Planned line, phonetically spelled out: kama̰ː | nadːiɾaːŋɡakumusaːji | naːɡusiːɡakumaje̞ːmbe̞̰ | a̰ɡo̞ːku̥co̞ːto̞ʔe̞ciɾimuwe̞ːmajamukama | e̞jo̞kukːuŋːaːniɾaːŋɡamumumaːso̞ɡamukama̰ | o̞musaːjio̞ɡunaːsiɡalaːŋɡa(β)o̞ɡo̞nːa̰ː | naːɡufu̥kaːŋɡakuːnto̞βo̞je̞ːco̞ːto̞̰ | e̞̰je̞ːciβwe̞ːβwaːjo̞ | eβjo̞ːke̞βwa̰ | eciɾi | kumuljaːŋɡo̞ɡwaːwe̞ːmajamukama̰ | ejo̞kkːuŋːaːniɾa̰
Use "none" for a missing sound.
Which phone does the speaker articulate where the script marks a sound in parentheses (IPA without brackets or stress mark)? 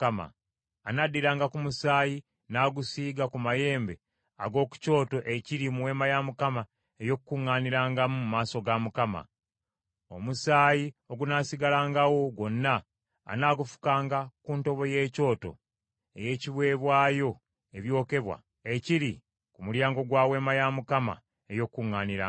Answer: w